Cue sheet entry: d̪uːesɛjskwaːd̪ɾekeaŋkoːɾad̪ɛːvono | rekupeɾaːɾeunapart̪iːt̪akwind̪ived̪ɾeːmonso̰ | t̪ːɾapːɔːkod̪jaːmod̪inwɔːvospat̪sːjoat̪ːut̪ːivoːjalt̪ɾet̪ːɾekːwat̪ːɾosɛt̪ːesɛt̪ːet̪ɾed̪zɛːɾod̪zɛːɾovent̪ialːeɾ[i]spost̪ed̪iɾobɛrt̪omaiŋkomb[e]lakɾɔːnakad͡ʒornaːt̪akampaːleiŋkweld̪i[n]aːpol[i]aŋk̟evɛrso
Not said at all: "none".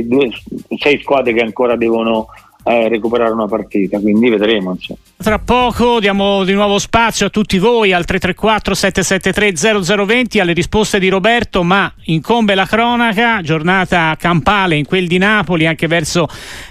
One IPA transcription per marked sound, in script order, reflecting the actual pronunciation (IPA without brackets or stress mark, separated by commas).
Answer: i, e, n, i